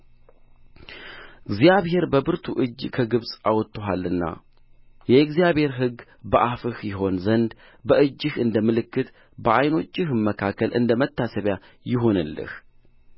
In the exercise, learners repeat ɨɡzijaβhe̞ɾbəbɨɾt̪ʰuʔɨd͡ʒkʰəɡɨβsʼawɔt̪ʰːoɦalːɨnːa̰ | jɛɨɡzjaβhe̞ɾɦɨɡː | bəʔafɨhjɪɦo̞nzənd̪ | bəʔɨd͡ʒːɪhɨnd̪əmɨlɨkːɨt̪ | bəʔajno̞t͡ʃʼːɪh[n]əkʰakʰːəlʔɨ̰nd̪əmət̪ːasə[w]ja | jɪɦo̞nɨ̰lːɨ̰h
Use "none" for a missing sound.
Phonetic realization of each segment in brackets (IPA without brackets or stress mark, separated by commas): m, β